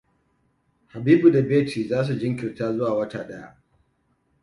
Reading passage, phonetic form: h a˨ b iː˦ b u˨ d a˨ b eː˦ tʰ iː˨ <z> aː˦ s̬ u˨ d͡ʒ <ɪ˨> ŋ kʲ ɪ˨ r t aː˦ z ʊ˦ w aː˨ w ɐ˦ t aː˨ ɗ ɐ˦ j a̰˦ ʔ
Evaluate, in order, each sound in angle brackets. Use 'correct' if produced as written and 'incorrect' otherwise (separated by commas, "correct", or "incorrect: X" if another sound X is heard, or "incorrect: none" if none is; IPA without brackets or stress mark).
correct, incorrect: ɪ˦